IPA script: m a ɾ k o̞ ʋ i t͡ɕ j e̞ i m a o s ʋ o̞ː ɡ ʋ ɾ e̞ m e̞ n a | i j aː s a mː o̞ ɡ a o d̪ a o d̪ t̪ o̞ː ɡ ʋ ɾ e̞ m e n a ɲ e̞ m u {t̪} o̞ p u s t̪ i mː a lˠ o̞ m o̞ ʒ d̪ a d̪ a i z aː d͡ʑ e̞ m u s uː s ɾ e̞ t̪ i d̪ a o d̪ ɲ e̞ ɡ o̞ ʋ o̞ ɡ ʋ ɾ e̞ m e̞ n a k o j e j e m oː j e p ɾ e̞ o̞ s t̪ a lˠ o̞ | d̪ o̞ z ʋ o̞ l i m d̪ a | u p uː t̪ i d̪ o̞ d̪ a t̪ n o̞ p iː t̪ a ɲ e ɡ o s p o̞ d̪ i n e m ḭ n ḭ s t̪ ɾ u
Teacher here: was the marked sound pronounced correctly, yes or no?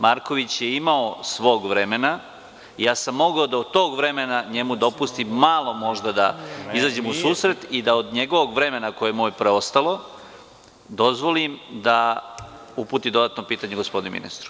no